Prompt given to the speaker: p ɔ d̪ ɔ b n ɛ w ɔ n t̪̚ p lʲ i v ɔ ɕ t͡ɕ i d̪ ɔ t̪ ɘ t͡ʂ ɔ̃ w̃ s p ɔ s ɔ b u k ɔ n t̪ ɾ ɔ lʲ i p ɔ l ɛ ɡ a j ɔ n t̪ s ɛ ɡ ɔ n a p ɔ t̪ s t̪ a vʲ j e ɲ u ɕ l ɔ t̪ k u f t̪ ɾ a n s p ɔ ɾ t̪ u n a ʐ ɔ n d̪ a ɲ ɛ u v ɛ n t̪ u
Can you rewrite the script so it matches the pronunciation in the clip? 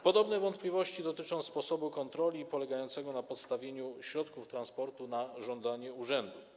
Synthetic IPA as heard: p ɔ d̪ ɔ b n ɛ v ɔ n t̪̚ p lʲ i v ɔ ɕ t͡ɕ i d̪ ɔ t̪ ɘ t͡ʂ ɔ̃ w̃ s p ɔ s ɔ b u k ɔ n t̪ ɾ ɔ lʲ i p ɔ l ɛ ɡ a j ɔ n t̪ s ɛ ɡ ɔ n a p ɔ t̪ s t̪ a vʲ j e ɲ u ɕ ɾ ɔ t̪ k u f t̪ ɾ a n s p ɔ ɾ t̪ u n a ʐ ɔ n d̪ a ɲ ɛ u ʐ ɛ n d̪ u